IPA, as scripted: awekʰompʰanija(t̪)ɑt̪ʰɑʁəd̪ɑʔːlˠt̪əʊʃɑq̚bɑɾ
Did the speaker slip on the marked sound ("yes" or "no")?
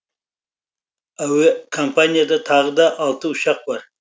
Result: yes